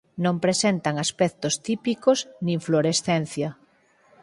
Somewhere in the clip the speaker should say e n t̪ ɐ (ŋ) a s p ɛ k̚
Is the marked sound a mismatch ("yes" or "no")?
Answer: no